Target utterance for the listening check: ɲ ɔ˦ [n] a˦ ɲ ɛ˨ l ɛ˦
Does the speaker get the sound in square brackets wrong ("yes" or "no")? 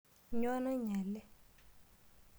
no